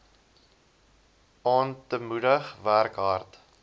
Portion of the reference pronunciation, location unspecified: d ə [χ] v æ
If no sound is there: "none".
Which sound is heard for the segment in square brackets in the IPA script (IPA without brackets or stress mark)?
χ